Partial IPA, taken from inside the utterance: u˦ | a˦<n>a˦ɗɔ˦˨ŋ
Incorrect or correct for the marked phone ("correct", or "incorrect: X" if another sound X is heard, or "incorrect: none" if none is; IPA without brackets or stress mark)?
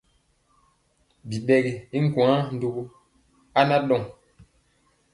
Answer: correct